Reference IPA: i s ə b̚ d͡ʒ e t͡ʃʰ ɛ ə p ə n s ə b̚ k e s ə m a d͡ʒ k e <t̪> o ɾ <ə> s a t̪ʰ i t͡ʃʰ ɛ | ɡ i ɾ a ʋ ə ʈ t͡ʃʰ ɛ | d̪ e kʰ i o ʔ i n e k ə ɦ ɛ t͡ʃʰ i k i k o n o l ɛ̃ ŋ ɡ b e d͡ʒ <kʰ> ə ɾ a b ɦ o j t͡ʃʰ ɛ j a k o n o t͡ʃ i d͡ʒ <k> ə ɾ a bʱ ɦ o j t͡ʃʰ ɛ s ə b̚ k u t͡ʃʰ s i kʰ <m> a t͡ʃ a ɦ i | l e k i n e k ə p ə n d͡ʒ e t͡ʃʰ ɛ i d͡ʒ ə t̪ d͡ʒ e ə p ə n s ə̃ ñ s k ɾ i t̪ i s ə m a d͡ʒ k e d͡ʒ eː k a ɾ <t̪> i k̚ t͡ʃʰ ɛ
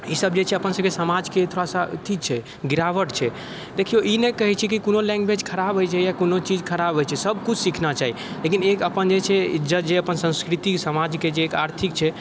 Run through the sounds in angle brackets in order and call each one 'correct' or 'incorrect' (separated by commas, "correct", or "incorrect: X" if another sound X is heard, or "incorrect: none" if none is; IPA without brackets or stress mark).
incorrect: t̪ʰ, incorrect: a, correct, incorrect: kʰ, incorrect: n, incorrect: t̪ʰ